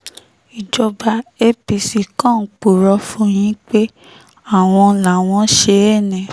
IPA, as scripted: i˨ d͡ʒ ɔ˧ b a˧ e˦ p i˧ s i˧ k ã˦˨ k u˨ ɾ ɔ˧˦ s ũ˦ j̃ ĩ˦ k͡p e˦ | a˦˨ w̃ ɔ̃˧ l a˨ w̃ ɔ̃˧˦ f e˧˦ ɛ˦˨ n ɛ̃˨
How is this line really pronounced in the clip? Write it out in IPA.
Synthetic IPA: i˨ d͡ʒ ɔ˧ b a˧ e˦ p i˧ s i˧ k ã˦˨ k͡p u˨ ɾ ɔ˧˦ f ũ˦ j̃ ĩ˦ k͡p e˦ | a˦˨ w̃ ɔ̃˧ l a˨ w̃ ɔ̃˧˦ ʃ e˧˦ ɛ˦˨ n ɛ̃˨